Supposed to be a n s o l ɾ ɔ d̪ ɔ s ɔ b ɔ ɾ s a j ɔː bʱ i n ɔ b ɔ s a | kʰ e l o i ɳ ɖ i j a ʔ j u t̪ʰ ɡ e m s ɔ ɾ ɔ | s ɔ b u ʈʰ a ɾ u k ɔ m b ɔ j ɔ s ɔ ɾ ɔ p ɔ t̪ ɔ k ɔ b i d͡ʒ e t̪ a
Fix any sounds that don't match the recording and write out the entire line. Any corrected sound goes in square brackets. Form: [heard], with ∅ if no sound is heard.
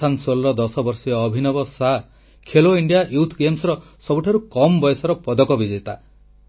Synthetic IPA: a n s o l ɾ ɔ d̪ ɔ s ɔ b ɔ ɾ s [i] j ɔː bʱ i n ɔ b ɔ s a | kʰ e l o i ɳ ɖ i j a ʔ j u t̪ʰ ɡ e m s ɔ ɾ ɔ | s ɔ b u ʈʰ a ɾ u k ɔ m b ɔ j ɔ s ɔ ɾ ɔ p ɔ [d̪] ɔ k ɔ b i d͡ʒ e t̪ a